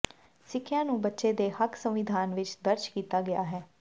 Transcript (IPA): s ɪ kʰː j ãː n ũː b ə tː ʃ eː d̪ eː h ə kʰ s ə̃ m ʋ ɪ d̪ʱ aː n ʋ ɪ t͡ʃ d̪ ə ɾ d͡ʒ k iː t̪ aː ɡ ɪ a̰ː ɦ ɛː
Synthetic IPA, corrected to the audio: s ɪ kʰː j ãː n ũː b ə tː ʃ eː d̪ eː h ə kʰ s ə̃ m ʋ ɪ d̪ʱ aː n ʋ ɪ t͡ʃ d̪ ə ɾ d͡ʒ k iː t̪ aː ɡ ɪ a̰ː ɦ ɛː